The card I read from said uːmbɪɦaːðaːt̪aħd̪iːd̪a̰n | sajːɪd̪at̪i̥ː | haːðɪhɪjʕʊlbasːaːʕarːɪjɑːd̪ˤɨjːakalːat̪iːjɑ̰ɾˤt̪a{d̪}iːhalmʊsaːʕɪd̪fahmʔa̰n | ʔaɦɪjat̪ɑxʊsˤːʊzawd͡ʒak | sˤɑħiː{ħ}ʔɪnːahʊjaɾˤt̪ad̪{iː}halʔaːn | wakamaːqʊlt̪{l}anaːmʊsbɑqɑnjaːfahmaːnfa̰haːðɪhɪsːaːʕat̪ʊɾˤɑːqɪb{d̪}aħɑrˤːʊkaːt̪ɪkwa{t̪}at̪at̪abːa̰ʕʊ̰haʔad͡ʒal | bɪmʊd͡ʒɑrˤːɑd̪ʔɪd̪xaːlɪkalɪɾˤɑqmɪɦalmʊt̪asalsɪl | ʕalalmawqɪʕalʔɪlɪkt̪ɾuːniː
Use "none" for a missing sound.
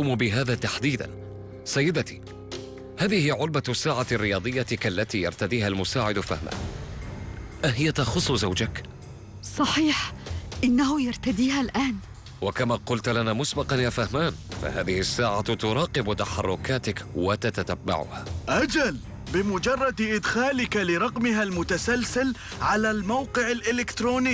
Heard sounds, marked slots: d̪, ħ, iː, l, t̪, t̪

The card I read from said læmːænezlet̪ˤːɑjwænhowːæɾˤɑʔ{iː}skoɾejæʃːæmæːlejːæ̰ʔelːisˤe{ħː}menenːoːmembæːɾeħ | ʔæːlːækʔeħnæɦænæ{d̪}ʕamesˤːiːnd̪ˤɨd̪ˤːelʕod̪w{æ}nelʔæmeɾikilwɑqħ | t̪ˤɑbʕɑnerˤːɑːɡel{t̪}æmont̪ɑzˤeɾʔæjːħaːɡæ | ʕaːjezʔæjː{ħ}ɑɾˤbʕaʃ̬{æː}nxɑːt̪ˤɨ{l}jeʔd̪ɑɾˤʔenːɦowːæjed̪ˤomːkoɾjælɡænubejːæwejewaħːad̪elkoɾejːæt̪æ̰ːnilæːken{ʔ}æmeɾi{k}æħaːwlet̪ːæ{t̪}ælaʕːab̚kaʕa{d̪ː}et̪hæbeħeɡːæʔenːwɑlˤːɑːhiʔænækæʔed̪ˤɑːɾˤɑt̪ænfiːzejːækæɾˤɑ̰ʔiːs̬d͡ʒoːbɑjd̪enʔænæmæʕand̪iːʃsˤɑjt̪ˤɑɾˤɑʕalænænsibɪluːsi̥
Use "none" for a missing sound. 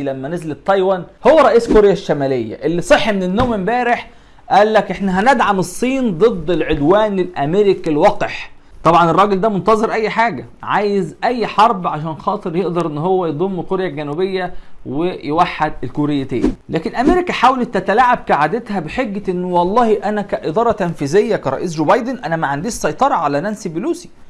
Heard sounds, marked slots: iː, ħː, d̪, æː, d̪, ħ, æː, ɾ, ʔ, k, t̪, d̪

